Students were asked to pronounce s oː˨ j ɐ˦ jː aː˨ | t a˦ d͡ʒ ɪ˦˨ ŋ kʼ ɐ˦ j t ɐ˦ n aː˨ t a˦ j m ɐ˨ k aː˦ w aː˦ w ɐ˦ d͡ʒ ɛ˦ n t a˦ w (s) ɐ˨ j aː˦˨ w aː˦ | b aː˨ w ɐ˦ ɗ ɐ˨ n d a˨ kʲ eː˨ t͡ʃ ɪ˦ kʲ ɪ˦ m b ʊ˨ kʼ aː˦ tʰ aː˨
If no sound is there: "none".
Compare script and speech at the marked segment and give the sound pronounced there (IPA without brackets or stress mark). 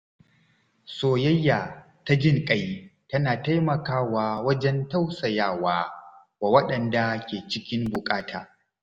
s